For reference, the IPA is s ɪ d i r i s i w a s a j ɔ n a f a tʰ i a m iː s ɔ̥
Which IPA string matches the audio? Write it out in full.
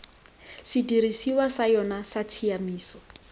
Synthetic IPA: s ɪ d i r i s i w a s a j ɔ n a s a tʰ i a m iː s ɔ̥